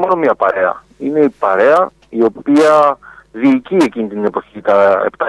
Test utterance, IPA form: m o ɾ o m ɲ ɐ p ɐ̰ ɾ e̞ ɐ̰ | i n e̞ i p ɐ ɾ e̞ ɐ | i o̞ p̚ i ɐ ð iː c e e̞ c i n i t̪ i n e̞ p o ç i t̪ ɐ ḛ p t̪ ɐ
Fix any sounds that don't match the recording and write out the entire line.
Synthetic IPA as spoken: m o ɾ o m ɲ ɐ p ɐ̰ ɾ e̞ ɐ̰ | i n e̞ i p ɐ ɾ e̞ ɐ | i o̞ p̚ i ɐ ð iː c i e̞ c i n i t̪ i n e̞ p o ç i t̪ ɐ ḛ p t̪ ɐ